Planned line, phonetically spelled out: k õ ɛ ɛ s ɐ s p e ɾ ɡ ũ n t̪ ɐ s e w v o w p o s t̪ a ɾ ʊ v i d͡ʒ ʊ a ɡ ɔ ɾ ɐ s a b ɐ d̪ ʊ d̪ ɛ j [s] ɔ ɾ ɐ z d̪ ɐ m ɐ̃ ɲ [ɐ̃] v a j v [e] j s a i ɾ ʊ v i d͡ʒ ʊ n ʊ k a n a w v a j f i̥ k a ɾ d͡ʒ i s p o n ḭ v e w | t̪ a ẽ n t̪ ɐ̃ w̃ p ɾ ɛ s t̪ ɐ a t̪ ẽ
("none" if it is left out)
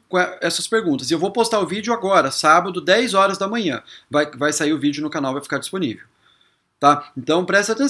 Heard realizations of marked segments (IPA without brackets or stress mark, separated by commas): z, ɐ̃, a